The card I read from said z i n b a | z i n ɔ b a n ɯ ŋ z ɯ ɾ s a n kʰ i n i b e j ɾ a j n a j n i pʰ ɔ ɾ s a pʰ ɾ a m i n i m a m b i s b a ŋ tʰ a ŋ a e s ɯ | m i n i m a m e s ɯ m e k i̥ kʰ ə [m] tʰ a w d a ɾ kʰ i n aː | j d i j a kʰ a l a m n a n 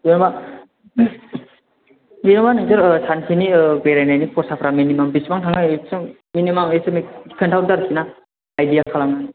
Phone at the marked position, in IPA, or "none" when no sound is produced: n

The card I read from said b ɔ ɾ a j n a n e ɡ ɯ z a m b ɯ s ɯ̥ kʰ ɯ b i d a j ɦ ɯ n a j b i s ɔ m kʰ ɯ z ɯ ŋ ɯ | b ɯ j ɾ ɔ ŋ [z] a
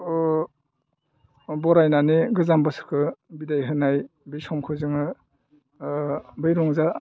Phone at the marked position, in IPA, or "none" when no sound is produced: z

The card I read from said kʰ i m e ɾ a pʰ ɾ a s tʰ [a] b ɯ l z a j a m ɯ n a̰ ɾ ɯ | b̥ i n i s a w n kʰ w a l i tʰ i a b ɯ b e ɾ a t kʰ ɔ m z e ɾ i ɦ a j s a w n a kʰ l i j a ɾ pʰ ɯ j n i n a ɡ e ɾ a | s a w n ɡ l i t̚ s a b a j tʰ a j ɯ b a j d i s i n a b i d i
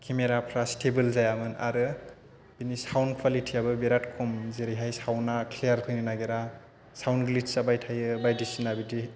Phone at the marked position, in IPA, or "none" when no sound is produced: e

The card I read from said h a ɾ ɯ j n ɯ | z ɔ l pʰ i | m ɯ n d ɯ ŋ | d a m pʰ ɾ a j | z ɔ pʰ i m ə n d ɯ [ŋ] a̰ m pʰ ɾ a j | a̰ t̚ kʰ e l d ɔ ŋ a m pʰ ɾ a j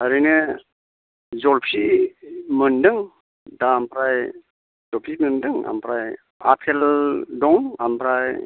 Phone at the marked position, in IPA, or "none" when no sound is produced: ŋ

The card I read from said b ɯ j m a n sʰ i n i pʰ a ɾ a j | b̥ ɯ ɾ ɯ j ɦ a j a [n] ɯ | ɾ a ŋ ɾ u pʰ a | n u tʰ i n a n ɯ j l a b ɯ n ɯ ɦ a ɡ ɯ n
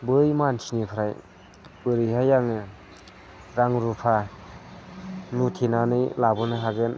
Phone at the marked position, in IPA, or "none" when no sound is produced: ŋ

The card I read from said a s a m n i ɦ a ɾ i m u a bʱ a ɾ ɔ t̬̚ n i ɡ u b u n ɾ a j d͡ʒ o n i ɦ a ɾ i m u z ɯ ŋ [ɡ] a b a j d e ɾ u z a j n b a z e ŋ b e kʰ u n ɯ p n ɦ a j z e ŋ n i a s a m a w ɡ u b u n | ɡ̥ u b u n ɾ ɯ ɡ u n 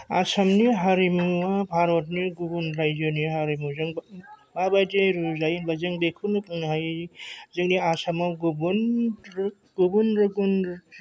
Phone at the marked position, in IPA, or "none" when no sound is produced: b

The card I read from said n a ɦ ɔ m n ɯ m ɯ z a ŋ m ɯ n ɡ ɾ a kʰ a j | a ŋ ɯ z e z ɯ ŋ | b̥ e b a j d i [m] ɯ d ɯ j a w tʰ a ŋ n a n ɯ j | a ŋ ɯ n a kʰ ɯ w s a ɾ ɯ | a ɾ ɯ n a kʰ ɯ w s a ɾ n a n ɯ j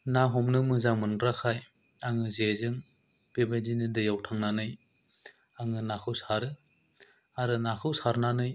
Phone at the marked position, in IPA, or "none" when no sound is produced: n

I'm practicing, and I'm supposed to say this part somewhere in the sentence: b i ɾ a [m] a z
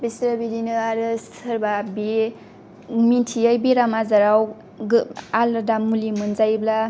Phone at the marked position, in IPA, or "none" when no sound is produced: m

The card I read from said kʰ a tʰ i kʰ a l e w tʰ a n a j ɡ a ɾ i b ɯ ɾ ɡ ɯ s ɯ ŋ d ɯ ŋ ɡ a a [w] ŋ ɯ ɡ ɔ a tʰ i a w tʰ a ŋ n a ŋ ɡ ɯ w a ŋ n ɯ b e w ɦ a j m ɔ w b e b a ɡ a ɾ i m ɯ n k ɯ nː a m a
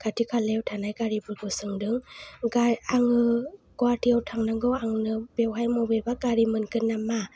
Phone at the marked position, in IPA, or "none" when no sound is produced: none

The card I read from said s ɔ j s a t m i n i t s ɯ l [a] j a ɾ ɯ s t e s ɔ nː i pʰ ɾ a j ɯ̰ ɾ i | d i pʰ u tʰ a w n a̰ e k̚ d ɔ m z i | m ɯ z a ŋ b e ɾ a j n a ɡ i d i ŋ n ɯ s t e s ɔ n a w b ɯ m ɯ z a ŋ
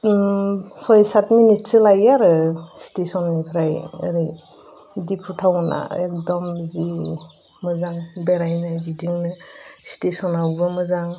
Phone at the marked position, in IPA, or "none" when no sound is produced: a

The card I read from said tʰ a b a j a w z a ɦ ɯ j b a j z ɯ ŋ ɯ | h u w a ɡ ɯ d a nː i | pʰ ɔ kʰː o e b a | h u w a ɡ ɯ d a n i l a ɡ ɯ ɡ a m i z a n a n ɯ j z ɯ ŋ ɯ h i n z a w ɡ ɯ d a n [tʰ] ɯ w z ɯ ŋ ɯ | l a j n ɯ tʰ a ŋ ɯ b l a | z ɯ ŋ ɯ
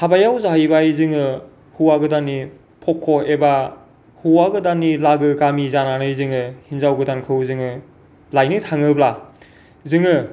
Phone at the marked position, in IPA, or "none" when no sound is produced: kʰ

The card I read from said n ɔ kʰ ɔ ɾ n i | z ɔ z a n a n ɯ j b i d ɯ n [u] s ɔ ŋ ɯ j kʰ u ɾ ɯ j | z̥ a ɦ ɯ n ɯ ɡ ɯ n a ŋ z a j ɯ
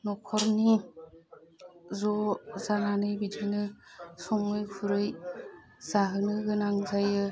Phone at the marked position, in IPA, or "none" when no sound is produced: ɯ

